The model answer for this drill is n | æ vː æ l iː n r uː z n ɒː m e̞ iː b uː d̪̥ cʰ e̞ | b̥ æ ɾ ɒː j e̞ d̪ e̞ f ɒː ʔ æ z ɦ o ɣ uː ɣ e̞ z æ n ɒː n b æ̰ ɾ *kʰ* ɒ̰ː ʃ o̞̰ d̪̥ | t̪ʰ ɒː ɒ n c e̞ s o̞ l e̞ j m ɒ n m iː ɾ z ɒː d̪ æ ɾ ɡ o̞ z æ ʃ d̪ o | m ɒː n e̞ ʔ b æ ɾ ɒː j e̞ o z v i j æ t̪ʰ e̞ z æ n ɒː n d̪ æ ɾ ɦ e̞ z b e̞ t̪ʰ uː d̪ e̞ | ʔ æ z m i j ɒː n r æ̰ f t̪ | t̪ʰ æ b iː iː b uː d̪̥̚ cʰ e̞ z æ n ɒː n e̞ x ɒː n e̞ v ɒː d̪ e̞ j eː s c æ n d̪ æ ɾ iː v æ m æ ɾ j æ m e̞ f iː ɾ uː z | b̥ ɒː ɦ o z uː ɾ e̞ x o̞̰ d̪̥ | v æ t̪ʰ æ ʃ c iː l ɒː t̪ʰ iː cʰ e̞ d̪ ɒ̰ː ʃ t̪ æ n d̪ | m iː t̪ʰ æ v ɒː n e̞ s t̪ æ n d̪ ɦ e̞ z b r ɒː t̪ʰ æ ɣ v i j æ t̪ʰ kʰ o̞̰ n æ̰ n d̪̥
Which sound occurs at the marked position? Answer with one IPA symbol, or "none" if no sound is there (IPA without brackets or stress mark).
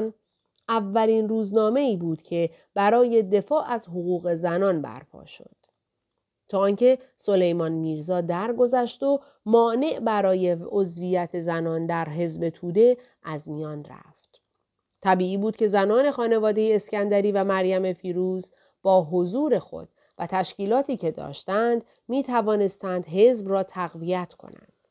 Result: pʰ